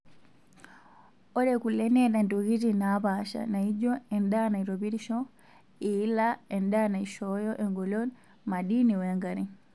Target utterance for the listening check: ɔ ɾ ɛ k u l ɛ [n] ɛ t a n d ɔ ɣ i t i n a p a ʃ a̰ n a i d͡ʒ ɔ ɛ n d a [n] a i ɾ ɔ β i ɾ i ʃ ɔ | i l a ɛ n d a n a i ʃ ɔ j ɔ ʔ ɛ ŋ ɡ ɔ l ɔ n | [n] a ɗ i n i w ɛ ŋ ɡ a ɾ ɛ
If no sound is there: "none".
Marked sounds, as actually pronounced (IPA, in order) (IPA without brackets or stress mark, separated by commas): n, n, m